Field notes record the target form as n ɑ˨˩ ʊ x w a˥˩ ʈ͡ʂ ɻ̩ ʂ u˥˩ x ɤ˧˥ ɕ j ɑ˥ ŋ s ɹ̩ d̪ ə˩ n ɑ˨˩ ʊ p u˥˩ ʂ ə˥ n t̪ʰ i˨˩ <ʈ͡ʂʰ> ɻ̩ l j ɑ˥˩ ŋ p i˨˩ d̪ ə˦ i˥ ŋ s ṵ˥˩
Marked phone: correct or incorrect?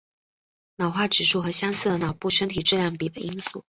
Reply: incorrect